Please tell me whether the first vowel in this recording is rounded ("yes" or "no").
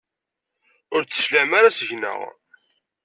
yes